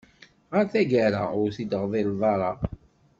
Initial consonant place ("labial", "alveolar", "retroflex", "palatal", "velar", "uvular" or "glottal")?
uvular